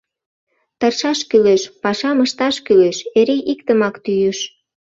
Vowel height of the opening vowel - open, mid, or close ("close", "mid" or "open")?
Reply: mid